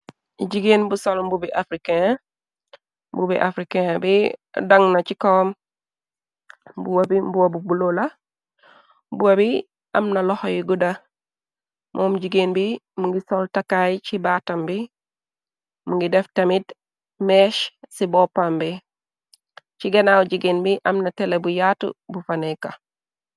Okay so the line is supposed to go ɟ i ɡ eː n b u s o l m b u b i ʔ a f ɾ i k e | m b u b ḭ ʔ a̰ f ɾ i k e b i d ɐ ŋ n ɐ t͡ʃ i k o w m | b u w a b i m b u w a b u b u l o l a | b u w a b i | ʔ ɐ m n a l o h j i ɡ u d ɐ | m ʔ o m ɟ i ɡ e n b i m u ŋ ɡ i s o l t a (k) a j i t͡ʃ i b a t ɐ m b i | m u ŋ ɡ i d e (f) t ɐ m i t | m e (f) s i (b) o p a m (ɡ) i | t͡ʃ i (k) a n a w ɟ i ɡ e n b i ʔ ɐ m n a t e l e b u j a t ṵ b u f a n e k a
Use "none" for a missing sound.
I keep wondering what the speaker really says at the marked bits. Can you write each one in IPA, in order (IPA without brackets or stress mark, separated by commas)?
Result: k, f, ʃ, b, b, ɡ